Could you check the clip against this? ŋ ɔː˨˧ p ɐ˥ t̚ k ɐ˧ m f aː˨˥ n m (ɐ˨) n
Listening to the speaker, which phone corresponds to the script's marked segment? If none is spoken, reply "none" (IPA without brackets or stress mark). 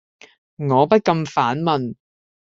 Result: ɐ˨